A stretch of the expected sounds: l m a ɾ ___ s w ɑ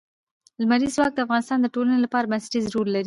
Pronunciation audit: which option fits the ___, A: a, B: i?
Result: B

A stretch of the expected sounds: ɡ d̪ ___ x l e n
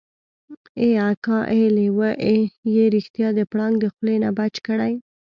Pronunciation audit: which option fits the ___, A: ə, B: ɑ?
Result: A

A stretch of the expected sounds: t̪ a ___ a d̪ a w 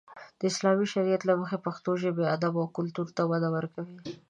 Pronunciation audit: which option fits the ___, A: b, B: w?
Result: B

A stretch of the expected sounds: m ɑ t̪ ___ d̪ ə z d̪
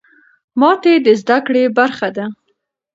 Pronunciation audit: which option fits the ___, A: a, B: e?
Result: B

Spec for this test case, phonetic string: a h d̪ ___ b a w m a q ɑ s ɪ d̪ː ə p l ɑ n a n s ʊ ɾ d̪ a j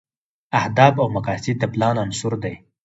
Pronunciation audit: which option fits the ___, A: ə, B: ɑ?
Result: B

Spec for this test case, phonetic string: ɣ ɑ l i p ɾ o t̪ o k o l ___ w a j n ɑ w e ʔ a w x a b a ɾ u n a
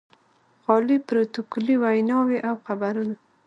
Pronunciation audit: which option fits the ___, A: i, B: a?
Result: A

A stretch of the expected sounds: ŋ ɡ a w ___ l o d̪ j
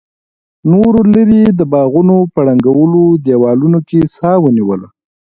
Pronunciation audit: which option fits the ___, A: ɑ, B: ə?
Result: B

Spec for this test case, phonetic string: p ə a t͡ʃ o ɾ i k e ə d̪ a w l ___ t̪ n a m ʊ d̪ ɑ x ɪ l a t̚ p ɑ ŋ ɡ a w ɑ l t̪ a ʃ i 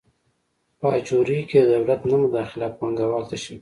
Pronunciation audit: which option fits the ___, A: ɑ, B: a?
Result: B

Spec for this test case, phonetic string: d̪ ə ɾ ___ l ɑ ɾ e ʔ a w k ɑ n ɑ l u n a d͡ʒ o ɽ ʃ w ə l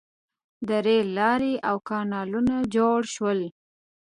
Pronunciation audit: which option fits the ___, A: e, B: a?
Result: A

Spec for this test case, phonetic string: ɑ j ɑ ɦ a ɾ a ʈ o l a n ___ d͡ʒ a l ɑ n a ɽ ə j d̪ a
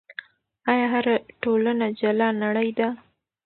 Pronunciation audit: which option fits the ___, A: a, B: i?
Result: A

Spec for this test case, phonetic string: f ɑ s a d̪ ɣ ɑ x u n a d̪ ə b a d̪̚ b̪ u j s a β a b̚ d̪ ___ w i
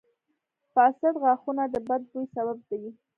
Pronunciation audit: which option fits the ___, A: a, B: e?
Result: A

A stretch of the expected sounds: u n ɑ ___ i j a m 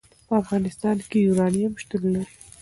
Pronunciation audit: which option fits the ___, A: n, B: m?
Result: A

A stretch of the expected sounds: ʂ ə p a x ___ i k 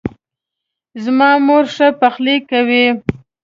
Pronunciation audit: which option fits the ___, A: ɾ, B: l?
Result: B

